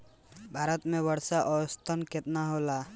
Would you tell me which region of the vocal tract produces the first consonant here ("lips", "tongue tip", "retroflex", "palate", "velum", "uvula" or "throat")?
lips